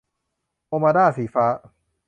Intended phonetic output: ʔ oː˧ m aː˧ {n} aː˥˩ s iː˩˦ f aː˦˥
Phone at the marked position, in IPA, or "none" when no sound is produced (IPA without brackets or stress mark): d